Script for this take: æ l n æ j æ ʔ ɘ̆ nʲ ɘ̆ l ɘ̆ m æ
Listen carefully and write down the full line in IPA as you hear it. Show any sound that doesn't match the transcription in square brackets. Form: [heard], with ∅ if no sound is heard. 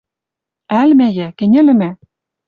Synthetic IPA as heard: æ l [m] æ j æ [k] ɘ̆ nʲ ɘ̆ l ɘ̆ m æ